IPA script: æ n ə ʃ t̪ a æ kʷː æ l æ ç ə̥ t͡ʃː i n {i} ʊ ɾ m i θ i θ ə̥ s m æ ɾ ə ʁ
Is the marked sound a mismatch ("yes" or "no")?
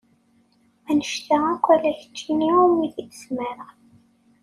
no